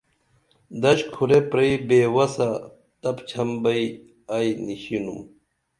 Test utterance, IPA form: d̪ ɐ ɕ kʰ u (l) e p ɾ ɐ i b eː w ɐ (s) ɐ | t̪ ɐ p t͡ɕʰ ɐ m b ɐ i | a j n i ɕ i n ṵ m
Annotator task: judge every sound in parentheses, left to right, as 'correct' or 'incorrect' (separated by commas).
incorrect, correct